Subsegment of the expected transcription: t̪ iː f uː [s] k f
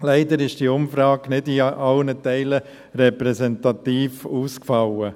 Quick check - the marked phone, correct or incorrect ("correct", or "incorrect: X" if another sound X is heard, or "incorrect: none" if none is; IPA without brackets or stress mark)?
correct